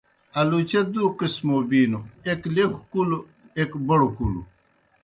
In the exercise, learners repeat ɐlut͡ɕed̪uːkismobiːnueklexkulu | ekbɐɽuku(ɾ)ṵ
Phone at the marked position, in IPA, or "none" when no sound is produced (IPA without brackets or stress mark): l